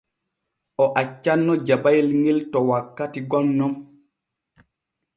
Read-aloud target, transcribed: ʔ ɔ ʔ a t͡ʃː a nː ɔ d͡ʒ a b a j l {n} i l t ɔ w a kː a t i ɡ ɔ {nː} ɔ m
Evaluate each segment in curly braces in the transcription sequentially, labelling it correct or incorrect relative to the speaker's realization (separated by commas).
incorrect, correct